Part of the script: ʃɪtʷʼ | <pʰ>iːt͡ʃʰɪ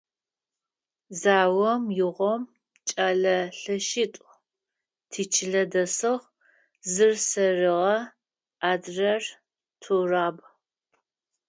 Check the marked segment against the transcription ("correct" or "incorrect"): incorrect